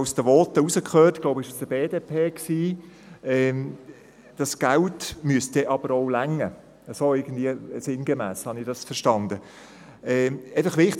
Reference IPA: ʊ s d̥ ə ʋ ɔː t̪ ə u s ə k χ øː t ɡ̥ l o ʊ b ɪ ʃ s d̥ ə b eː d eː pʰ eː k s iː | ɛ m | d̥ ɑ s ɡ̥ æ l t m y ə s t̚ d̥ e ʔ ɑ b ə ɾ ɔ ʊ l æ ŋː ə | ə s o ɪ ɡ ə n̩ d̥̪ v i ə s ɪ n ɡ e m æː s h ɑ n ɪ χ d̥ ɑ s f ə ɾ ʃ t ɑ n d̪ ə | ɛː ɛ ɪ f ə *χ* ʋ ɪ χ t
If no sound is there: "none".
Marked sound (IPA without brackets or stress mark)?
χ